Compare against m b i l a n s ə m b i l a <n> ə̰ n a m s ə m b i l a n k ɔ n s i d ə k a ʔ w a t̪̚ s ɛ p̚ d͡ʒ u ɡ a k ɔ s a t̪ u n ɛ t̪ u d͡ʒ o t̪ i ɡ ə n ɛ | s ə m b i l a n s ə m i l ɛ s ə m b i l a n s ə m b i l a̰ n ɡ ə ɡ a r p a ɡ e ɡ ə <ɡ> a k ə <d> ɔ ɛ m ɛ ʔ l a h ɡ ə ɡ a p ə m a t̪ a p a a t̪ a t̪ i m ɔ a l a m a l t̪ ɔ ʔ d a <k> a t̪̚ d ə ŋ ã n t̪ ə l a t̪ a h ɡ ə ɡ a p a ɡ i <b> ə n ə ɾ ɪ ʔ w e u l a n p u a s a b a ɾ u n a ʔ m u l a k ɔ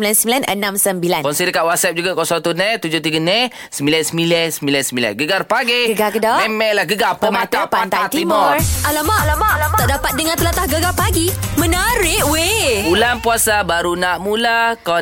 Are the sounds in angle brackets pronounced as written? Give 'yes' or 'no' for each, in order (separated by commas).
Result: yes, yes, yes, no, no